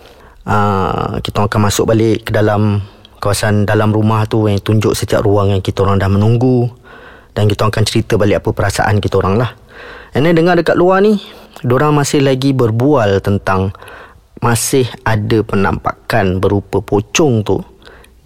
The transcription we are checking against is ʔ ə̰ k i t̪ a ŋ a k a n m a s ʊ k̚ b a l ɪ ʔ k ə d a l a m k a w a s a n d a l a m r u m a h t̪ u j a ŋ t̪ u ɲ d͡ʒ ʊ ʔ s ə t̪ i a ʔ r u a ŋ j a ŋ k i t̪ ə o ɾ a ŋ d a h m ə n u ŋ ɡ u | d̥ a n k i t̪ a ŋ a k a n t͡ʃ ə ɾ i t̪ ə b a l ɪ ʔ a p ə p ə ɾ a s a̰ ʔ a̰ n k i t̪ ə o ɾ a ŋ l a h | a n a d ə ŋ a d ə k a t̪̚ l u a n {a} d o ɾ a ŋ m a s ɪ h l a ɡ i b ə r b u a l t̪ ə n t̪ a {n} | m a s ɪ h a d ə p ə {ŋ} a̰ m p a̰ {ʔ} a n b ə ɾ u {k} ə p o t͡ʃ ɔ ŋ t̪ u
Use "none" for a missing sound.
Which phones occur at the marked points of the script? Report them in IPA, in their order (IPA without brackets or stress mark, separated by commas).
i, ŋ, n, k, p